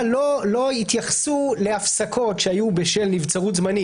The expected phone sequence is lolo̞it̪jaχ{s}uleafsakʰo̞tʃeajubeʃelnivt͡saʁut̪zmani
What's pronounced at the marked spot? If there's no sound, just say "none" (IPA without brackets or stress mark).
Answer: s